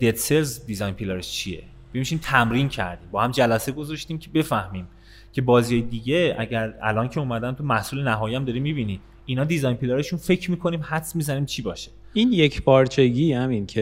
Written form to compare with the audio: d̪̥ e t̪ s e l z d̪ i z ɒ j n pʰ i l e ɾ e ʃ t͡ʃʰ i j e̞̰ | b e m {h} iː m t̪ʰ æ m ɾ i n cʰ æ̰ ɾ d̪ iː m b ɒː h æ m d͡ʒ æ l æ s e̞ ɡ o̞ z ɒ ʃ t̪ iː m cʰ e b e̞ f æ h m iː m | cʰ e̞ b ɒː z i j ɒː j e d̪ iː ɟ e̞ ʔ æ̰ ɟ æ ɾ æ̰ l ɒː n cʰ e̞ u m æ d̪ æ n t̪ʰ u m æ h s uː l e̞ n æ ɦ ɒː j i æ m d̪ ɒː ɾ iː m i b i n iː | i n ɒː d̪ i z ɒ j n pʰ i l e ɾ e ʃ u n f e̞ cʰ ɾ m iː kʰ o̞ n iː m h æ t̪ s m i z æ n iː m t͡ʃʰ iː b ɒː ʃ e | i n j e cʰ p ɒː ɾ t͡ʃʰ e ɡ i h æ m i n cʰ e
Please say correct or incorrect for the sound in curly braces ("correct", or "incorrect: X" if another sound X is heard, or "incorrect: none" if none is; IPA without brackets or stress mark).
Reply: incorrect: ʃ